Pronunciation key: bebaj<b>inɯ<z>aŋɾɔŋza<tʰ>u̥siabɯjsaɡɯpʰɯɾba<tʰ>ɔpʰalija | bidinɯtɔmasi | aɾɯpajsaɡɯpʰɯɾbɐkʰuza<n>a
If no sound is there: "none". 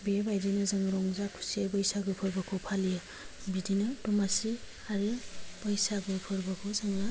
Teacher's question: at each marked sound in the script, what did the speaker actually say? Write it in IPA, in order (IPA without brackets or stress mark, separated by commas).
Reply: d, z, kʰ, kʰ, ŋ